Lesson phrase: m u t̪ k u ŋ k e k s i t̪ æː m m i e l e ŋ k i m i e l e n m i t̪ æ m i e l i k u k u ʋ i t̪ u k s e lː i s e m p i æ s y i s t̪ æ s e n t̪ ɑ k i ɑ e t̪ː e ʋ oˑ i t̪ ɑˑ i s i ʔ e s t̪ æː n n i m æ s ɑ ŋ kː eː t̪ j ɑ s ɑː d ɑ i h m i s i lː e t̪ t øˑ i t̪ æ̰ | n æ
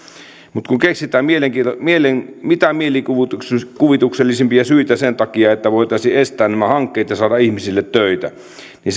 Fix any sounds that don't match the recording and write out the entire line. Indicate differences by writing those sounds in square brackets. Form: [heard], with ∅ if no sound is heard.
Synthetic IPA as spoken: m u t̪ k u ŋ k e k s i t̪ æː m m i e l e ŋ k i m i e l e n m i t̪ æ m i e l i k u k u ʋ i t̪ u k s e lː i s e m p i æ s y i [∅] t̪ æ s e n t̪ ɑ k i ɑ e t̪ː [æ] ʋ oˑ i t̪ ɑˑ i s i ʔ e s t̪ æː n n [æ] m æ [h] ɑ ŋ kː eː t̪ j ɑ s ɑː d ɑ i h m i s i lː e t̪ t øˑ i t̪ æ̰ | n [i]